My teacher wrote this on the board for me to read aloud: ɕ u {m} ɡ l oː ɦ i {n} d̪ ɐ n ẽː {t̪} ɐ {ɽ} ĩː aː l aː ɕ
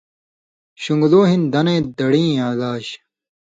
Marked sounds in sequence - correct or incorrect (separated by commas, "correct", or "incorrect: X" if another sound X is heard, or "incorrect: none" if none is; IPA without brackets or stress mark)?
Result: incorrect: ŋ, correct, incorrect: d̪, correct